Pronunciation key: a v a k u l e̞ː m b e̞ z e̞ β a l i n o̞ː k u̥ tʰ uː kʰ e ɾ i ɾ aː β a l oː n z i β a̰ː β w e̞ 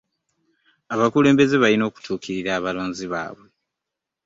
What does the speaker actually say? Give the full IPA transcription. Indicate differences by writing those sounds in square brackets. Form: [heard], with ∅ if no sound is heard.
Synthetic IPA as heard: a [β] a k u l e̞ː m b e̞ z e̞ β a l i n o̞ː k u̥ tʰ uː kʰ [i] ɾ i ɾ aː β a l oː n z i β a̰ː β w e̞